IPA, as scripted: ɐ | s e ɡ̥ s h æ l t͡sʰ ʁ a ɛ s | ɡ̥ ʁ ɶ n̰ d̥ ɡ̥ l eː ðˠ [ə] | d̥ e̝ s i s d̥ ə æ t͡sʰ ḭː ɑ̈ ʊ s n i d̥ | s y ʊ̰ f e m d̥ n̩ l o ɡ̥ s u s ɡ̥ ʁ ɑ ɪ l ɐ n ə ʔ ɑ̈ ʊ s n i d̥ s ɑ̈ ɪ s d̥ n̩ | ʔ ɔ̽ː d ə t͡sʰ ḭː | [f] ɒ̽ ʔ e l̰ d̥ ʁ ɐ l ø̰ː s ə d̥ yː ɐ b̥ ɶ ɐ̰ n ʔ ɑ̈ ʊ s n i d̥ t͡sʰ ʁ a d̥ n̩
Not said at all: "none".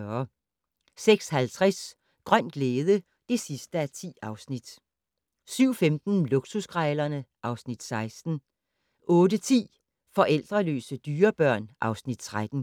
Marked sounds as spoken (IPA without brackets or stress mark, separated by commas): ə, f